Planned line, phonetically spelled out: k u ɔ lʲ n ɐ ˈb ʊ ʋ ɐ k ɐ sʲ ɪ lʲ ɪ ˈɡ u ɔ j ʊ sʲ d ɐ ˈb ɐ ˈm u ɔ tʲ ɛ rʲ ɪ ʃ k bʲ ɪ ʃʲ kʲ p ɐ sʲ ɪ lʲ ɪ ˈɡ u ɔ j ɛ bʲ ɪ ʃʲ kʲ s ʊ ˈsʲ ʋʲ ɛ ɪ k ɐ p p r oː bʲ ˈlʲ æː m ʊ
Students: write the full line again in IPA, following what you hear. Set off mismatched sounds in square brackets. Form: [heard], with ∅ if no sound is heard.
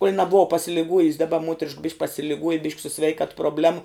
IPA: k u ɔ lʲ n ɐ ˈb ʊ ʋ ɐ [p] ɐ sʲ ɪ lʲ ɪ ˈɡ u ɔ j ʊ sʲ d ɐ ˈb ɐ ˈm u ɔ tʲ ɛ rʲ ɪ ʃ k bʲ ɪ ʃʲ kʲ p ɐ sʲ ɪ lʲ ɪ ˈɡ u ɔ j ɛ bʲ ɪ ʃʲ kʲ s ʊ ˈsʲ ʋʲ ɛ ɪ k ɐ [t] p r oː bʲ ˈlʲ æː m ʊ

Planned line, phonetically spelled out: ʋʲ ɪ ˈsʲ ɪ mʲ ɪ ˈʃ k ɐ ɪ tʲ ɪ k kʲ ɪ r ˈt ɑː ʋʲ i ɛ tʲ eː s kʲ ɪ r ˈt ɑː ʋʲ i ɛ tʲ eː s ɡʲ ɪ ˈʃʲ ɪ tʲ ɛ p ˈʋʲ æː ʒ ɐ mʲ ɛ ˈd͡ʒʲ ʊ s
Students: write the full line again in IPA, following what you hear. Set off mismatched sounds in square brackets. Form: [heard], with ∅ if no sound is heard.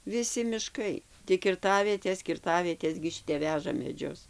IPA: ʋʲ ɪ ˈsʲ ɪ mʲ ɪ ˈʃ k ɐ ɪ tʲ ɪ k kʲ ɪ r ˈt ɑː ʋʲ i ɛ tʲ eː s kʲ ɪ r ˈt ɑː ʋʲ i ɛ tʲ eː s ɡʲ ɪ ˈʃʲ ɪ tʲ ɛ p ˈʋʲ æː ʒ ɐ mʲ ɛ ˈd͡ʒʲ ʊ s

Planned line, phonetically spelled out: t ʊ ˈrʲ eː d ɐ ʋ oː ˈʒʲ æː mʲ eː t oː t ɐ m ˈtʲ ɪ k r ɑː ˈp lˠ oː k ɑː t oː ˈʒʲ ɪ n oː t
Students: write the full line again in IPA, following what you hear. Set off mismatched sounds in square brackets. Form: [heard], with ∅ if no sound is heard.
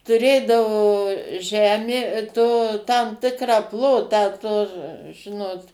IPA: t ʊ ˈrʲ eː d ɐ ʋ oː ˈʒʲ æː mʲ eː t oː t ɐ m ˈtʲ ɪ k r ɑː ˈp lˠ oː [t] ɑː t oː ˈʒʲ ɪ n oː t

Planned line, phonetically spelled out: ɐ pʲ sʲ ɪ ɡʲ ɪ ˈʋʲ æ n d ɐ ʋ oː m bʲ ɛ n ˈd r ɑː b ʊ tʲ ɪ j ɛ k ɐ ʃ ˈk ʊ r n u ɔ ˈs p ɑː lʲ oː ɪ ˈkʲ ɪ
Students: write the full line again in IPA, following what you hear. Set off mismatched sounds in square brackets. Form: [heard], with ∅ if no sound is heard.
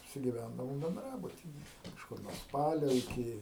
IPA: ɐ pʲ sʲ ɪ ɡʲ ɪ ˈʋʲ æ n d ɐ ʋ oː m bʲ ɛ n ˈd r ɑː b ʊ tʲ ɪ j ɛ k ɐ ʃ ˈk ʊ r n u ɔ ˈs p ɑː lʲ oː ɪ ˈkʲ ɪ

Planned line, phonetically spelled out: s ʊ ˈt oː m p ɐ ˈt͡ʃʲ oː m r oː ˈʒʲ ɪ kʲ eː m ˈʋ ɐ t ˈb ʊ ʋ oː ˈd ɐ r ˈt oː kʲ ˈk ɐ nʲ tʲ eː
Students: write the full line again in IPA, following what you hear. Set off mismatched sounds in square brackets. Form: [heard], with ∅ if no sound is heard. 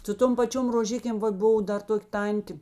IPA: s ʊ ˈt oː m p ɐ ˈt͡ʃʲ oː m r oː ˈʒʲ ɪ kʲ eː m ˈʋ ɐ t ˈb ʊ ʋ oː ˈd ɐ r ˈt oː kʲ [ˈt] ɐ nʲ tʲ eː

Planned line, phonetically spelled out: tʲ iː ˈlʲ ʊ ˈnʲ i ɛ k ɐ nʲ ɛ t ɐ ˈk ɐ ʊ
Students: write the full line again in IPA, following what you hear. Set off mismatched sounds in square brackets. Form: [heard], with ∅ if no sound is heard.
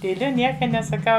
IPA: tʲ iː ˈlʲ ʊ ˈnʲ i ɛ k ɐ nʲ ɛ [s] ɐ ˈk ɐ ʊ

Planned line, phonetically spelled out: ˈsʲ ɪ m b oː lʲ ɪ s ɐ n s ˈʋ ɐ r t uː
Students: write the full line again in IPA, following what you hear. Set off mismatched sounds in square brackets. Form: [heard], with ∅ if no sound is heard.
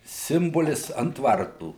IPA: ˈsʲ ɪ m b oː lʲ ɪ s ɐ n [t] ˈʋ ɐ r t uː

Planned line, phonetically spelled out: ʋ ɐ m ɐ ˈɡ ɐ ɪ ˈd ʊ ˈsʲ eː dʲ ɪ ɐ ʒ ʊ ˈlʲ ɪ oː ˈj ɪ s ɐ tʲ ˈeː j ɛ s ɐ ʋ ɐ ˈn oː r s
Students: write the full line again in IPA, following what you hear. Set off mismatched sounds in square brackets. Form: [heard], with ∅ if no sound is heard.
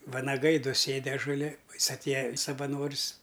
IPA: ʋ ɐ [n] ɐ ˈɡ ɐ ɪ ˈd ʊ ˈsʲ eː dʲ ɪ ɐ ʒ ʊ ˈlʲ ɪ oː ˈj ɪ s ɐ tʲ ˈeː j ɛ s ɐ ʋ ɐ ˈn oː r s

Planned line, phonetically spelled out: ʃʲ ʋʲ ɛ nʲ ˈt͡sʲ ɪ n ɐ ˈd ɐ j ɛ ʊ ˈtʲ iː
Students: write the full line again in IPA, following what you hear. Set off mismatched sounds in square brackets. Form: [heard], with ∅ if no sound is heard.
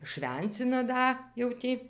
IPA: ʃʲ ʋʲ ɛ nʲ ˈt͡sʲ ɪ n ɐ ˈd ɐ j ɛ ʊ ˈtʲ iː

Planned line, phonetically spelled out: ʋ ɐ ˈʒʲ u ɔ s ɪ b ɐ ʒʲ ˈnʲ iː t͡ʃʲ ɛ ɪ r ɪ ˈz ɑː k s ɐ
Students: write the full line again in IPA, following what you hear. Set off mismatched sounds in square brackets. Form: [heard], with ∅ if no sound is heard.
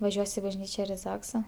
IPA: ʋ ɐ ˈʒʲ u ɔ s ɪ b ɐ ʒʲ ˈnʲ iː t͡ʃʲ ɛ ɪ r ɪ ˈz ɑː k s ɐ

